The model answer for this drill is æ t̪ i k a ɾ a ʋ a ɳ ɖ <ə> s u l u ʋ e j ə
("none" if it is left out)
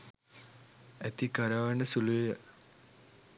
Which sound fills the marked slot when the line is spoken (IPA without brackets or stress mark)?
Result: ə